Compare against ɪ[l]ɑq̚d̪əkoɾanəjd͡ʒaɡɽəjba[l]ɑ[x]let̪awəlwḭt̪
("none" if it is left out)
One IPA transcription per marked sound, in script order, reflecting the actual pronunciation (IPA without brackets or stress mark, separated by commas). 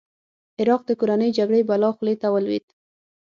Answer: ɾ, l, x